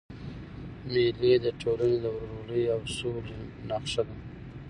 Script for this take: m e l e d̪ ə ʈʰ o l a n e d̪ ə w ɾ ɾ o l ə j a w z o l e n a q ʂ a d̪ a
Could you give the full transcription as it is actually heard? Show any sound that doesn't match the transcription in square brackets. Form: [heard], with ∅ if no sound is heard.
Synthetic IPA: m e l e d̪ ə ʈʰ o l a n e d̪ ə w ɾ ɾ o l ə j a w [s] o l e n a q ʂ a d̪ a